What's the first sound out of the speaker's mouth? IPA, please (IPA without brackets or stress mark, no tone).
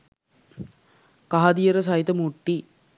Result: k